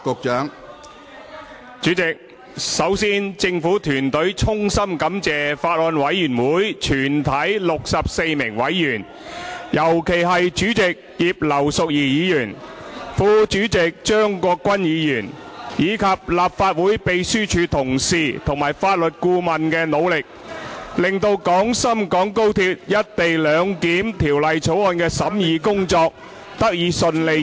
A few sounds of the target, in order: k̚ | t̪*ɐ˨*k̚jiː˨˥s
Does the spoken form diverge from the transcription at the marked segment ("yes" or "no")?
yes